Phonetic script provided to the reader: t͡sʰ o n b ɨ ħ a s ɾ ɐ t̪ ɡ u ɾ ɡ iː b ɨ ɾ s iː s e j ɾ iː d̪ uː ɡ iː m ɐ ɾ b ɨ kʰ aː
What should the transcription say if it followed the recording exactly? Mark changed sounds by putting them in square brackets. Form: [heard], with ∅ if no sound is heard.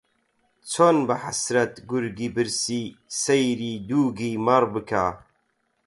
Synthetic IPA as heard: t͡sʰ o n b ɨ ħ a s ɾ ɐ t̪ ɡ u ɾ ɡ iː b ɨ ɾ s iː s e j ɾ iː d̪ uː ɡ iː m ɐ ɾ b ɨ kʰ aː